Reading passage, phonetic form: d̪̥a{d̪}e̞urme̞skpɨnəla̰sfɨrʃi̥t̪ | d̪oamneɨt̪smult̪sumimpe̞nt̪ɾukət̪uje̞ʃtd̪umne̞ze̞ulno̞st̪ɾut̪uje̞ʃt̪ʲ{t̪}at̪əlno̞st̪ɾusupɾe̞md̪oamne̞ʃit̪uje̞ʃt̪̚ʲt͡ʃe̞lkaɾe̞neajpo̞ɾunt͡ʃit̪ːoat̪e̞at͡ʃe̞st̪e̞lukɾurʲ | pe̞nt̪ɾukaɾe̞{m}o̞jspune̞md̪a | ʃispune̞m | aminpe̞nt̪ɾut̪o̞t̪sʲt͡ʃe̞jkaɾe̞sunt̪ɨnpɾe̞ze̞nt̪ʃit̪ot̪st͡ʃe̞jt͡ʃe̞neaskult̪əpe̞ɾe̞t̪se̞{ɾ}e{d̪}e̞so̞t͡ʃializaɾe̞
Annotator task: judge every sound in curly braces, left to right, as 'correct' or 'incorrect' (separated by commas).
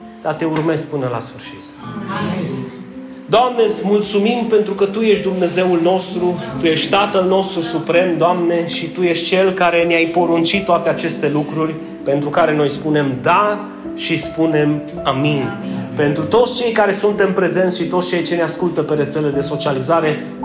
incorrect, correct, incorrect, incorrect, correct